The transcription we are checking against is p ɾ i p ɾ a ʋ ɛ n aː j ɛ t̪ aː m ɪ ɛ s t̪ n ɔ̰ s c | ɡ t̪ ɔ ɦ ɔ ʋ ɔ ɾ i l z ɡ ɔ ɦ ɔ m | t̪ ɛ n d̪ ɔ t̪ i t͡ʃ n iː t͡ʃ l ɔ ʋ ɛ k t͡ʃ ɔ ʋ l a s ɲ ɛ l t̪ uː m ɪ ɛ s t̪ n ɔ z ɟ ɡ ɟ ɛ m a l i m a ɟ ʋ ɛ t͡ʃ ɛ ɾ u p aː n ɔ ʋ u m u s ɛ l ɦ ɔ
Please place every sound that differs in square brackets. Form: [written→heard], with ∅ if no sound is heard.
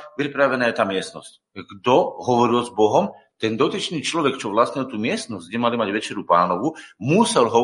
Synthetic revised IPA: p ɾ i p ɾ a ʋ ɛ n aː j ɛ t̪ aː m ɪ ɛ s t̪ n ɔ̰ s c | ɡ [t̪→d̪] ɔ ɦ ɔ ʋ ɔ ɾ i l z [ɡ→b] ɔ ɦ ɔ m | t̪ ɛ n d̪ ɔ t̪ i t͡ʃ n iː t͡ʃ l ɔ ʋ ɛ k t͡ʃ ɔ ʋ l a s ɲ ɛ l t̪ uː m ɪ ɛ s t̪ n ɔ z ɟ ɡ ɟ ɛ m a l i m a ɟ ʋ ɛ t͡ʃ ɛ ɾ u p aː n ɔ ʋ u m u s ɛ l ɦ ɔ